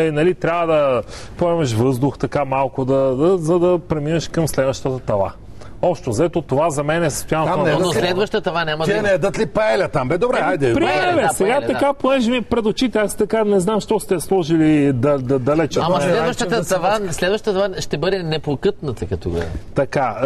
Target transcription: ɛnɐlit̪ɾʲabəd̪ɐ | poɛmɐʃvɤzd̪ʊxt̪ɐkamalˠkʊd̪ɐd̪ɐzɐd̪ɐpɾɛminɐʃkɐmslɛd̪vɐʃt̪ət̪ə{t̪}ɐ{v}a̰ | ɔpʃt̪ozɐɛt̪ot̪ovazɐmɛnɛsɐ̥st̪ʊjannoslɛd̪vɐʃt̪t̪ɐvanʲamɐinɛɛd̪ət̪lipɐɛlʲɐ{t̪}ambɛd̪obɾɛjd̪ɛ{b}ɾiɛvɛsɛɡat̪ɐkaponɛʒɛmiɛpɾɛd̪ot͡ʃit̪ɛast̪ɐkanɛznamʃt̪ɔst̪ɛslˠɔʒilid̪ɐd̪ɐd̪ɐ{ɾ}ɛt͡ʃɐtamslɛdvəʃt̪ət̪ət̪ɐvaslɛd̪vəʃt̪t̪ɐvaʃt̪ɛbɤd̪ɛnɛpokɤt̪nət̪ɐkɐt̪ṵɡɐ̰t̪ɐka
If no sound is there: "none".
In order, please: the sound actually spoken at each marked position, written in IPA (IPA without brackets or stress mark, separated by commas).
t̪, v, t̪, p, l